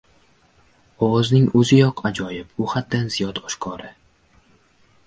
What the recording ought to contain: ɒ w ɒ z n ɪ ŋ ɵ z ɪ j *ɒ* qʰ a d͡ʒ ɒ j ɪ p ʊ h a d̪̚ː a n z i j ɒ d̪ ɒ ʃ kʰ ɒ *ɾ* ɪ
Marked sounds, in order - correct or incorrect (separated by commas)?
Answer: correct, correct